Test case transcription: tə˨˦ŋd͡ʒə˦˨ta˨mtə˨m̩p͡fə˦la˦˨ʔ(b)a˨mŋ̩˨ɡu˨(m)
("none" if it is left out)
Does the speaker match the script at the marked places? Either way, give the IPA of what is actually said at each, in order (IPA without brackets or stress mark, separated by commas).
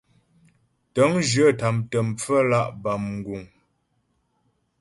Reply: b, ŋ